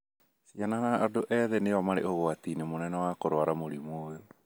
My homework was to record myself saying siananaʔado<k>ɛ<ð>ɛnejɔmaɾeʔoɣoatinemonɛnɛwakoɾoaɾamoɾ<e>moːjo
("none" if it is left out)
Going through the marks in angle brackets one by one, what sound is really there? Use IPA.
ʔ, ð, i

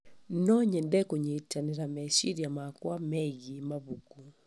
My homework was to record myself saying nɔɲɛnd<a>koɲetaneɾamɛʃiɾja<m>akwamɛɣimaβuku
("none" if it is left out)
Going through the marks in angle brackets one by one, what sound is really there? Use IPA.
ɛ, m

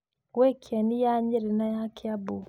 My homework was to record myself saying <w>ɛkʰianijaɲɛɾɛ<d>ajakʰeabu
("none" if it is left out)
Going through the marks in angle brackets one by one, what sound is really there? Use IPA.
w, n

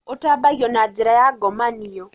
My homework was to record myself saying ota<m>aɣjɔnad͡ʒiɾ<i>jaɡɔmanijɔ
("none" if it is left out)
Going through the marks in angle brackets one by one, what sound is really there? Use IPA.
b, a

